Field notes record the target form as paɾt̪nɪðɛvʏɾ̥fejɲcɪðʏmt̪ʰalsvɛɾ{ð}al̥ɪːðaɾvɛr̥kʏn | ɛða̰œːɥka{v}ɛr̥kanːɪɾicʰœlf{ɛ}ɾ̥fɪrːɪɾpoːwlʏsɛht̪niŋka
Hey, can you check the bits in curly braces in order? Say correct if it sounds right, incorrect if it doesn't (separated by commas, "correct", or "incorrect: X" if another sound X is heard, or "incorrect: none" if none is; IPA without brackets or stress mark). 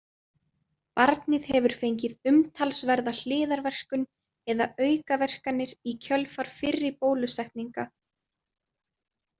correct, correct, incorrect: a